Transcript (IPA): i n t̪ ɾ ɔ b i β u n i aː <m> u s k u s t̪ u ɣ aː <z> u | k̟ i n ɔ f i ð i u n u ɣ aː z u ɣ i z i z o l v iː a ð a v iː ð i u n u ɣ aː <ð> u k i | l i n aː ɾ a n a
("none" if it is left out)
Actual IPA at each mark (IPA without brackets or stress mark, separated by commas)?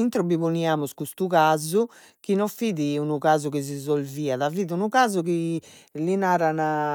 m, z, z